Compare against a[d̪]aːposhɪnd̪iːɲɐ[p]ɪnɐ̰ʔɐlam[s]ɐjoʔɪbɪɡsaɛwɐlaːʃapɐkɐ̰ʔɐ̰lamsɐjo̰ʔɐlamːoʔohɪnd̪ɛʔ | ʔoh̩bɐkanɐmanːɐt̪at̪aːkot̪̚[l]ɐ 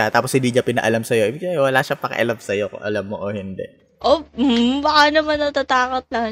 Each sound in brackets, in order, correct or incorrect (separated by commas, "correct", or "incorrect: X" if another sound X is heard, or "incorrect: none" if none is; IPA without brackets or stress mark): incorrect: t̪, correct, correct, correct